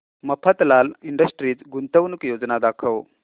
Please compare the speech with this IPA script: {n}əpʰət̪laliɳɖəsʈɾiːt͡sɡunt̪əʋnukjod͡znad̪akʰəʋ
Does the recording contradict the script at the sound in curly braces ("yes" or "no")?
yes